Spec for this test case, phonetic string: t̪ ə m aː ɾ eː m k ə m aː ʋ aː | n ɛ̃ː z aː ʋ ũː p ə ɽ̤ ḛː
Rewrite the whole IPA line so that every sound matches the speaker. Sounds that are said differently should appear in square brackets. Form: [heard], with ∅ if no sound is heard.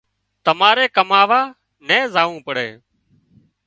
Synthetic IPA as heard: t̪ ə m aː ɾ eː [∅] k ə m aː ʋ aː | n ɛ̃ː z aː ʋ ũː p ə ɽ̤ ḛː